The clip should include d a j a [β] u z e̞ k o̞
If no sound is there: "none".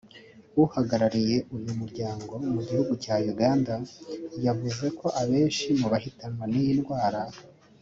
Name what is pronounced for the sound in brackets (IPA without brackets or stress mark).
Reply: v